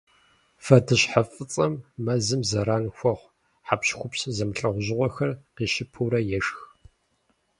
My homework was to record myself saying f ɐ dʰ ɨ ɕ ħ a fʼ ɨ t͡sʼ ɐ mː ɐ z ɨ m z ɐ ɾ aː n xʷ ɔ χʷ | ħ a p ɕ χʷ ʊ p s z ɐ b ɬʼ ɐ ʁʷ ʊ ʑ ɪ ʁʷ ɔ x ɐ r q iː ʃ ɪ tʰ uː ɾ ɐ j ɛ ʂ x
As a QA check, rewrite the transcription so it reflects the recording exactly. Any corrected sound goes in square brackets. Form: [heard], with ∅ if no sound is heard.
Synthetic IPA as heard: f ɐ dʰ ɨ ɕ ħ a fʼ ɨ t͡sʼ ɐ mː ɐ z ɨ m z ɐ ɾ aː n xʷ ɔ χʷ | ħ a p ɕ [xʷ] ʊ p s z ɐ [m] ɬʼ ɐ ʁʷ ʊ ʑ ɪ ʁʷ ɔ x ɐ r q iː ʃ ɪ [pʰ] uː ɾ ɐ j ɛ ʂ x